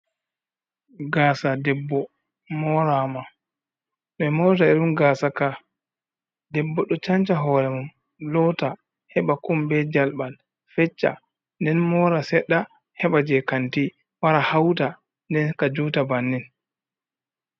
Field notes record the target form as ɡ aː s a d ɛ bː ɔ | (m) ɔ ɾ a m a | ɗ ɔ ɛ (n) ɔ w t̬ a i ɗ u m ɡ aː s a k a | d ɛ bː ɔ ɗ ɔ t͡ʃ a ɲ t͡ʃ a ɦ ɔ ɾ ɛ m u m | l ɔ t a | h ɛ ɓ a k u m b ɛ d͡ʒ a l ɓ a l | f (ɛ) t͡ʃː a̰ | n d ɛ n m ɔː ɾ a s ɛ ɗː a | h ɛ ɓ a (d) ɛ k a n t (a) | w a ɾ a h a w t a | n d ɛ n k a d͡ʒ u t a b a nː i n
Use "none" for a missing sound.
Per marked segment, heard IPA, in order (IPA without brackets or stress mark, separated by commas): m, m, ɛ, d͡ʒ, i